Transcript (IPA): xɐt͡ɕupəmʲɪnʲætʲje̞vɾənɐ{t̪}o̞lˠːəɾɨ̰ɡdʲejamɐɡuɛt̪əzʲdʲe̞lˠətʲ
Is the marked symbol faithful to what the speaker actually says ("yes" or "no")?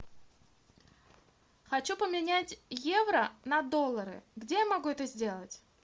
no